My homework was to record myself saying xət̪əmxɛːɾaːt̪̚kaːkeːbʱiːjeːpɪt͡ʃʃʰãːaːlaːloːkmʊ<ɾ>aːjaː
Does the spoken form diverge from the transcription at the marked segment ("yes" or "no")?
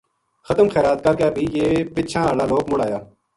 yes